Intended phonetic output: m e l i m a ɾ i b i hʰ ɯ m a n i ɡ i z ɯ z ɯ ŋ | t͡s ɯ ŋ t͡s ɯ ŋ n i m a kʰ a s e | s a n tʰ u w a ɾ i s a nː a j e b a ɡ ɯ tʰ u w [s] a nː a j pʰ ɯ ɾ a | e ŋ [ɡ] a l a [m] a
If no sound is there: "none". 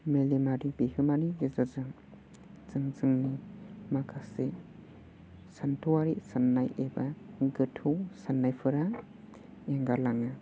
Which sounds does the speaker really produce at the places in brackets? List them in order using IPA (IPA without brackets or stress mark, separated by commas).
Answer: s, ɡ, ŋ